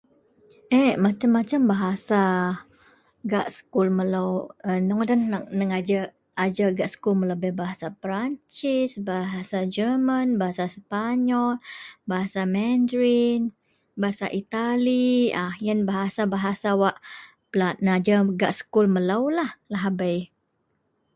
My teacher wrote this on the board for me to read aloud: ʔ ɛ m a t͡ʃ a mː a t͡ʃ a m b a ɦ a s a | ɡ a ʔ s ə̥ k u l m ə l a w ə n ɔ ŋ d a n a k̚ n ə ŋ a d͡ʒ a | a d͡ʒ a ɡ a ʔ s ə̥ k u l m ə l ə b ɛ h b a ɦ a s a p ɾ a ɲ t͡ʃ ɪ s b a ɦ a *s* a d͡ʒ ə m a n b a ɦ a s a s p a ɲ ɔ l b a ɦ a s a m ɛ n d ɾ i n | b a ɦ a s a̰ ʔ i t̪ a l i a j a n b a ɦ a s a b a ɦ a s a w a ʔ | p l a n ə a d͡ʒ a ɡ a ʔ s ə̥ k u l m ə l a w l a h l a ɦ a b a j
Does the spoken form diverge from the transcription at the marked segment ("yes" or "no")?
no